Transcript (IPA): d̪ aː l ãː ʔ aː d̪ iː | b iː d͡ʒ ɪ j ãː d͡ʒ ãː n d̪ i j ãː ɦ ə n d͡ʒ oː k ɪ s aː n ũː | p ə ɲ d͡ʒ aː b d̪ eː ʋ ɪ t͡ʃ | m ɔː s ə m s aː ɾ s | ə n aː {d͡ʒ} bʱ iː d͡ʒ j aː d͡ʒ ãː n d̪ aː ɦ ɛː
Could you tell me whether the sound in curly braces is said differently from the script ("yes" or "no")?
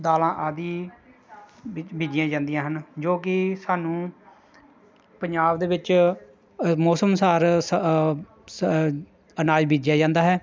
no